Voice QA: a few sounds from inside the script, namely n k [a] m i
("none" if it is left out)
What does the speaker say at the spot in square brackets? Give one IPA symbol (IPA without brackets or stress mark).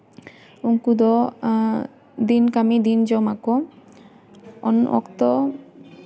a